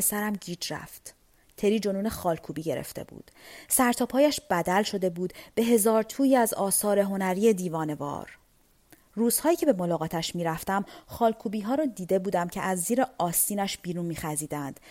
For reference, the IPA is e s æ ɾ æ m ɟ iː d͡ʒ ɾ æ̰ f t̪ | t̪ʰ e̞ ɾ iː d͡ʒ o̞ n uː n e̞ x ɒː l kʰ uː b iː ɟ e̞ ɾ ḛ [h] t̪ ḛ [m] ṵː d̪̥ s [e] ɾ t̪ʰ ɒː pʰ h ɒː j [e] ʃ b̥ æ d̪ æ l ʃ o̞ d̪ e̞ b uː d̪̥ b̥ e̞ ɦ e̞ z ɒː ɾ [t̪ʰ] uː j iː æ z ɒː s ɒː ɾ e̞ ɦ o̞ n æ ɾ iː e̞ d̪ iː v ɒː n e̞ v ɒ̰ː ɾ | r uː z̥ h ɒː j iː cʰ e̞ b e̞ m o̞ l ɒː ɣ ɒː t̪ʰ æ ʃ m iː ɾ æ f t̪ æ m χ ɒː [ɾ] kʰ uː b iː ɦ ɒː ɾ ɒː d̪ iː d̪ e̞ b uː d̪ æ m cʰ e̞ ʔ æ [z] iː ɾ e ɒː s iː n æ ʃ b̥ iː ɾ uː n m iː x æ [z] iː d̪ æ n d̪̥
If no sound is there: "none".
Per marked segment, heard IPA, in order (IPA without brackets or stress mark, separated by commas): f, b, æ, æ, t̪ʰ, l, zː, z